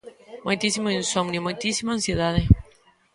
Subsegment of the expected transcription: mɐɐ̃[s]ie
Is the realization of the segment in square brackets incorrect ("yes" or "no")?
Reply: no